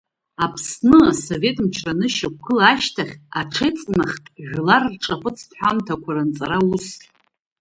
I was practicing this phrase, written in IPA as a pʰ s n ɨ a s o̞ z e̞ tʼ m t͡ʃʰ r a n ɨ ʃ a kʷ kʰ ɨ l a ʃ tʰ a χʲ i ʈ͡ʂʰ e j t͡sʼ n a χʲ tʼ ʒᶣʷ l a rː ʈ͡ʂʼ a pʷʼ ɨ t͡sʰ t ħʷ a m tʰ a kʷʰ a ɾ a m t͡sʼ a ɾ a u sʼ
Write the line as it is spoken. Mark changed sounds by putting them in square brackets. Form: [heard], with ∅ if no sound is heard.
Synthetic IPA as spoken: a pʰ s n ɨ a s o̞ [v] e̞ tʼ m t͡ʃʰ r a n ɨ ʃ a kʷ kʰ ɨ l a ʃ tʰ a χʲ [a] ʈ͡ʂʰ e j t͡sʼ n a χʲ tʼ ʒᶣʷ l a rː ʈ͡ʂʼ a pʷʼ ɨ t͡sʰ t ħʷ a m tʰ a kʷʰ a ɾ a [n] t͡sʼ a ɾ a u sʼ